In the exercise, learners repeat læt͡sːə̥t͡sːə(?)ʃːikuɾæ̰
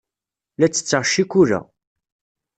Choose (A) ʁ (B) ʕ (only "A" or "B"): A